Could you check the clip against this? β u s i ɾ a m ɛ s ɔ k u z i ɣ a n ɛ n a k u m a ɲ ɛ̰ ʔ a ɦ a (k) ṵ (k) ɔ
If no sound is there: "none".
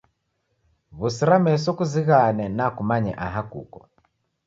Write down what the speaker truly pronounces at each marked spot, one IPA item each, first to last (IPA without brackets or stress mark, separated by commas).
k, k